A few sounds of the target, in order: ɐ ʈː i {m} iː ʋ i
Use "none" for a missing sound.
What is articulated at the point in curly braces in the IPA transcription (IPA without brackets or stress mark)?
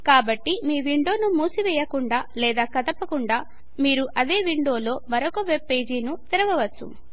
m